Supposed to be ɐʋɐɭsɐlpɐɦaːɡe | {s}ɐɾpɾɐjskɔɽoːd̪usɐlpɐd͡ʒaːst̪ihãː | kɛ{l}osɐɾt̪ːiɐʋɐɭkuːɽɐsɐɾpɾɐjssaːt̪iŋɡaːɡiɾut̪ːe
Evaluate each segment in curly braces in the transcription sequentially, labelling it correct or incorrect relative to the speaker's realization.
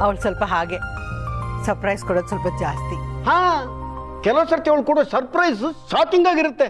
correct, correct

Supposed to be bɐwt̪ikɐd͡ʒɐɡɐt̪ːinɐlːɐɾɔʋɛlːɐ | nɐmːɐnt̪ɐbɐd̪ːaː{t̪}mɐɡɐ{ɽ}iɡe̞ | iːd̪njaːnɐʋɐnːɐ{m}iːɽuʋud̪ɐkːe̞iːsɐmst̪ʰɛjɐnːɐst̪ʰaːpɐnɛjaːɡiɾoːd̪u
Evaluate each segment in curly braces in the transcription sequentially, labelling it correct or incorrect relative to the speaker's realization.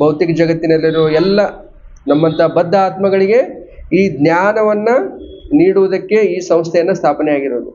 correct, incorrect: ɭ, incorrect: n

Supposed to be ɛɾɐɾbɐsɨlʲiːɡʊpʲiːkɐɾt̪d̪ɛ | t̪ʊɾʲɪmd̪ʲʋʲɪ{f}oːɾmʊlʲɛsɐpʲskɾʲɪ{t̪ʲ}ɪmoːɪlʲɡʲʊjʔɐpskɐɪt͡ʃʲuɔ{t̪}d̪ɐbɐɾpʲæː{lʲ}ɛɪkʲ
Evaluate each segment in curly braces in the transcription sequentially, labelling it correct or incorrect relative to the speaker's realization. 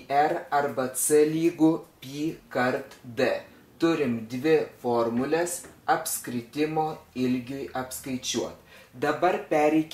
correct, correct, correct, incorrect: ɾʲ

